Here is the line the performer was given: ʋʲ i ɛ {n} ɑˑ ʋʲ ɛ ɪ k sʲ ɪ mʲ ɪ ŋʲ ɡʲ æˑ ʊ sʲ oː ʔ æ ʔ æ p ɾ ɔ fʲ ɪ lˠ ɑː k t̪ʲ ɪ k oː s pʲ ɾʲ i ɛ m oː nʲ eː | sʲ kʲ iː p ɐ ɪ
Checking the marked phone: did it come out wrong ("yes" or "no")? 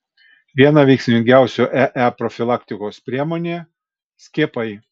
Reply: no